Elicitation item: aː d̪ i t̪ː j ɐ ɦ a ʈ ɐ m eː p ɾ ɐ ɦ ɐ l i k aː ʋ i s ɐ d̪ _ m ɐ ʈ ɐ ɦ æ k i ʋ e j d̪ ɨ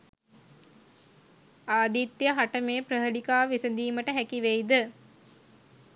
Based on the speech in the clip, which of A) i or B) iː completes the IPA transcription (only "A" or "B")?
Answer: B